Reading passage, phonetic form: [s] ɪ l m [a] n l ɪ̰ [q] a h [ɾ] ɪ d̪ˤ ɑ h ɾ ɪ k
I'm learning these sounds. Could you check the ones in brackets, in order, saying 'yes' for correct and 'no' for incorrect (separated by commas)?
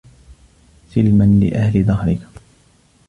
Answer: yes, yes, no, no